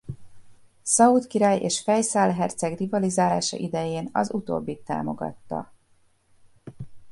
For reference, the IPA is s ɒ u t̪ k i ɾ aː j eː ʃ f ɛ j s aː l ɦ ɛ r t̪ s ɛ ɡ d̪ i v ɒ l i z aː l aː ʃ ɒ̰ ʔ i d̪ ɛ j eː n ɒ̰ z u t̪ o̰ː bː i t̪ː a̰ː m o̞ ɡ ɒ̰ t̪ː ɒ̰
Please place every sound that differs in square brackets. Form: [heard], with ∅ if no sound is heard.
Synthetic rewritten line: s ɒ u t̪ k i ɾ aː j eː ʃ f ɛ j s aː l ɦ ɛ r t̪ s ɛ ɡ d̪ i v ɒ l i z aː l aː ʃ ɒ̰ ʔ i d̪ ɛ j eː n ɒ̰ z u t̪ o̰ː bː i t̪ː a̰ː m o̞ ɡ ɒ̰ t̪ː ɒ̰

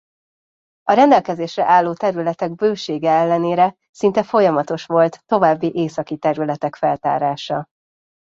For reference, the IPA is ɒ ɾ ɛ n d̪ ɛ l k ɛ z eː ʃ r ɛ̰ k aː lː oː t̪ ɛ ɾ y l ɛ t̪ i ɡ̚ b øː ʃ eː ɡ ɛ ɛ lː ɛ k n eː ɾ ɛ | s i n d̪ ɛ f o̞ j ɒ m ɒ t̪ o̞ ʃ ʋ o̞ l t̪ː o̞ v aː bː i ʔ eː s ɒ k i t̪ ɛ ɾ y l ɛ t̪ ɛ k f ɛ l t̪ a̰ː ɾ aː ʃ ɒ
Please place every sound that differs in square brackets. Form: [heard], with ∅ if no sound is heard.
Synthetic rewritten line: ɒ ɾ ɛ n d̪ ɛ l k ɛ z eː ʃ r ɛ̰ [ʔ] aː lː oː t̪ ɛ ɾ y l ɛ t̪ [ɛ] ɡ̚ b øː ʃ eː ɡ ɛ ɛ lː ɛ [∅] n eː ɾ ɛ | s i n [t̪] ɛ f o̞ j ɒ m ɒ t̪ o̞ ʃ ʋ o̞ l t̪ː o̞ v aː bː i ʔ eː s ɒ k i t̪ ɛ ɾ y l ɛ t̪ ɛ k f ɛ l t̪ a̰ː ɾ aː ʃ ɒ

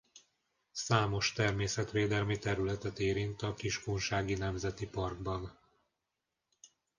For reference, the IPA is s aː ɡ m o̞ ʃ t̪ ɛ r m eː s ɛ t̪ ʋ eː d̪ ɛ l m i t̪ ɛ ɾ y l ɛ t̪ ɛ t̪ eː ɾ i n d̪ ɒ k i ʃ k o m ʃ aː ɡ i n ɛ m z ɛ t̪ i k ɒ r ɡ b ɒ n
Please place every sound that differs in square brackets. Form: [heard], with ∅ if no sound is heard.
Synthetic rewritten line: s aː [∅] m o̞ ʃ t̪ ɛ r m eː s ɛ t̪ ʋ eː d̪ ɛ l m i t̪ ɛ ɾ y l ɛ t̪ ɛ t̪ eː ɾ i n [t̪] ɒ k i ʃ k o [n] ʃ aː ɡ i n ɛ m z ɛ t̪ i [p] ɒ r ɡ b ɒ n

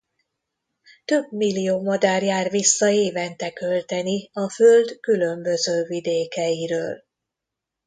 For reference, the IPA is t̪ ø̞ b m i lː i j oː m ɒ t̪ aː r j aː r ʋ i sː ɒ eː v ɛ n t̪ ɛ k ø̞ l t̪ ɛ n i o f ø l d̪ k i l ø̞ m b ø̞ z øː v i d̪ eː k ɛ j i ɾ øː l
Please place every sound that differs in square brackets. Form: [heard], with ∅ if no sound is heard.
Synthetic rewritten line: t̪ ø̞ b m i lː i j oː m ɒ [d̪] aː r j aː r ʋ i sː ɒ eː v ɛ n t̪ ɛ k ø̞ l t̪ ɛ n i [ɒ] f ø l d̪ k [y] l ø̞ m b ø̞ z øː v i d̪ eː k ɛ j i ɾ øː l

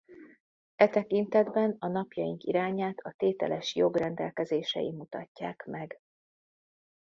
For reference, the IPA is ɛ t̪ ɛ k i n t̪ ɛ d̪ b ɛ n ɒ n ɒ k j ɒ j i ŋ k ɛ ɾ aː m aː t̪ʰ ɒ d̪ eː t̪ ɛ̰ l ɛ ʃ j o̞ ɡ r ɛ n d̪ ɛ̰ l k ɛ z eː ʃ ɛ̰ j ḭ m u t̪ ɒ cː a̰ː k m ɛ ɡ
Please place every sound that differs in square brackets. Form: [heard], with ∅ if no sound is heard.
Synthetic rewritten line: ɛ t̪ ɛ k i n t̪ ɛ d̪ b ɛ n ɒ n ɒ [p] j ɒ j i ŋ k [i] ɾ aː [ɲ] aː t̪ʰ ɒ [t̪] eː t̪ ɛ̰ l ɛ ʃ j o̞ ɡ r ɛ n d̪ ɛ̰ l k ɛ z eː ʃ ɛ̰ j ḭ m u t̪ ɒ cː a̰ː k m ɛ ɡ

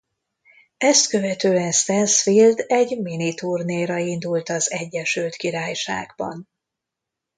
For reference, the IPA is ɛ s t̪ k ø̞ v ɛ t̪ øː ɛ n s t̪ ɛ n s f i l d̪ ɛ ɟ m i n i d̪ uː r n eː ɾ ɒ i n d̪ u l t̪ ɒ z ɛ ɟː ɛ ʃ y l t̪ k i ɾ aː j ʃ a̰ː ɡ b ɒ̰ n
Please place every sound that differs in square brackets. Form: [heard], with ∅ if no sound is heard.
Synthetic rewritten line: ɛ s t̪ k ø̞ v ɛ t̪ øː ɛ n s t̪ ɛ n s f i l d̪ ɛ ɟ m i n i [t̪] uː r n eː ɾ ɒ i n d̪ u l t̪ ɒ z ɛ ɟː ɛ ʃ y l t̪ k i ɾ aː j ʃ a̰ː ɡ b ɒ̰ n

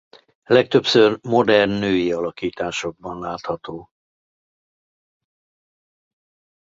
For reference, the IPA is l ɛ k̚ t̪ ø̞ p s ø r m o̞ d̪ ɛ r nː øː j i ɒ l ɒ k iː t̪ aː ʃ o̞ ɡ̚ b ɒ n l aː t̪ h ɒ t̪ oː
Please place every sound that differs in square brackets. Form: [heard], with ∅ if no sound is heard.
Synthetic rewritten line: l ɛ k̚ t̪ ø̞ p s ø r m o̞ d̪ ɛ r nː øː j i ɒ l ɒ k iː t̪ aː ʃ o̞ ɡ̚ b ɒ n l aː t̪ h ɒ t̪ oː

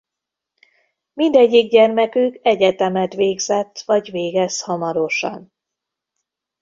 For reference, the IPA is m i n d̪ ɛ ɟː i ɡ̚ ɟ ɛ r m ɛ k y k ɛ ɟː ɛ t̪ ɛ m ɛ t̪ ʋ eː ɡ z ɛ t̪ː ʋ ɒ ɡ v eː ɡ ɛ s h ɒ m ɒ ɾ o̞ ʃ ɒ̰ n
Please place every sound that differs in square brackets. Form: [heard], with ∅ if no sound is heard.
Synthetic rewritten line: m i n d̪ ɛ ɟː i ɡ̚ ɟ ɛ r m ɛ k y k ɛ [ɟ] ɛ t̪ ɛ m ɛ t̪ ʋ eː ɡ z ɛ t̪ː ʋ ɒ [ɟ] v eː ɡ ɛ s h ɒ m ɒ ɾ o̞ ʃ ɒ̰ n

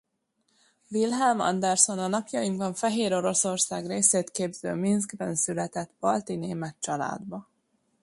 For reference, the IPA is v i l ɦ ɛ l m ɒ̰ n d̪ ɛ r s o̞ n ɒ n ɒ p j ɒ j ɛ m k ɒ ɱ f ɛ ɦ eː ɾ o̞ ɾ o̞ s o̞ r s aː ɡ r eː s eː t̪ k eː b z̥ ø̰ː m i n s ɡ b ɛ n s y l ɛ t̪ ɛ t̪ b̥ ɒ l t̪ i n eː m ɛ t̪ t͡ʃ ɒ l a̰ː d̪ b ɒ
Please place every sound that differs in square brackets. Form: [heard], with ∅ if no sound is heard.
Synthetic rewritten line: v i l ɦ ɛ l m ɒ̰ n d̪ ɛ r s o̞ n ɒ n ɒ p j ɒ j [i] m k ɒ ɱ f ɛ ɦ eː ɾ o̞ ɾ o̞ s o̞ r s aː ɡ r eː s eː t̪ k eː b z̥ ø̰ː m i n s ɡ b ɛ n s y l ɛ t̪ ɛ t̪ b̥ ɒ l t̪ i n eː m ɛ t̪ t͡ʃ ɒ l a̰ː d̪ b ɒ

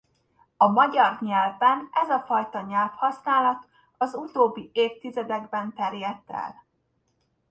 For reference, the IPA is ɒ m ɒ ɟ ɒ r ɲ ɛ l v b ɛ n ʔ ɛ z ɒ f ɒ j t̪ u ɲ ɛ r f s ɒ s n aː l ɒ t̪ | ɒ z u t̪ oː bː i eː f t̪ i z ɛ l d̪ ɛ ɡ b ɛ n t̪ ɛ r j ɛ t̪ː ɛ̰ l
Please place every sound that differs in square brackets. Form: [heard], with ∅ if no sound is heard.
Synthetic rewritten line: ɒ m ɒ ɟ ɒ r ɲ ɛ l v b ɛ n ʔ ɛ z ɒ f ɒ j t̪ [ɒ] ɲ ɛ [l] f [h] ɒ s n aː l ɒ t̪ | ɒ z u t̪ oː bː i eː f t̪ i z ɛ [∅] d̪ ɛ ɡ b ɛ n t̪ ɛ r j ɛ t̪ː ɛ̰ l

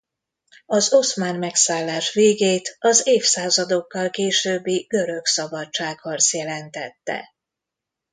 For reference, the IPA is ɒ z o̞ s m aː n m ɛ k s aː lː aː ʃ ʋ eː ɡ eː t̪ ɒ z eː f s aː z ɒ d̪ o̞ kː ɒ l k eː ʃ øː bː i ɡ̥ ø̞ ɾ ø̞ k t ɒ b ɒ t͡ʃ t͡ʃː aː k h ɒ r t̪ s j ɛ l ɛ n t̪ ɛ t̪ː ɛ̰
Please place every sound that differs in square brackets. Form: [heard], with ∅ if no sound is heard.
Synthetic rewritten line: ɒ z o̞ s m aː n m ɛ k s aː lː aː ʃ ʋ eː ɡ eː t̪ ɒ z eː f s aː z ɒ d̪ o̞ kː ɒ l k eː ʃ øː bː i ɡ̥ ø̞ ɾ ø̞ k [s] ɒ b ɒ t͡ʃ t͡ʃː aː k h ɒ r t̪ s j ɛ l ɛ n t̪ ɛ t̪ː ɛ̰

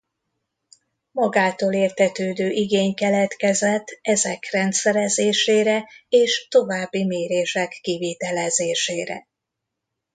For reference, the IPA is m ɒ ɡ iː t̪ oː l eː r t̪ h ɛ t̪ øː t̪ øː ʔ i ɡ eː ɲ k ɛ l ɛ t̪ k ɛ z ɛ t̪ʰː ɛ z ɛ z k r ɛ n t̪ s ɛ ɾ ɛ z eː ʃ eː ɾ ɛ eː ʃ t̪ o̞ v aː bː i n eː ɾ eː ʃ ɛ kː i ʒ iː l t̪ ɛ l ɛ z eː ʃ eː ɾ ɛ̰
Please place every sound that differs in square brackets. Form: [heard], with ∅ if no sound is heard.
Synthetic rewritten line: m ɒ ɡ [aː] t̪ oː l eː r t̪ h ɛ t̪ øː [d̪] øː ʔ i ɡ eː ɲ k ɛ l ɛ t̪ k ɛ z ɛ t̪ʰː ɛ z ɛ [∅] k r ɛ n t̪ s ɛ ɾ ɛ z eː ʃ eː ɾ ɛ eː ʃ t̪ o̞ v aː bː i [m] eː ɾ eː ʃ ɛ kː i [v] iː [∅] t̪ ɛ l ɛ z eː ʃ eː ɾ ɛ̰

